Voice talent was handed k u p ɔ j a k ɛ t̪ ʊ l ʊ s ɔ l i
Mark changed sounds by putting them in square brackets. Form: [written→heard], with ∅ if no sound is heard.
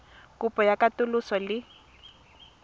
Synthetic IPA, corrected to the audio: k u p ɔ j a k [ɛ→a] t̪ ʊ l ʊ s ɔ l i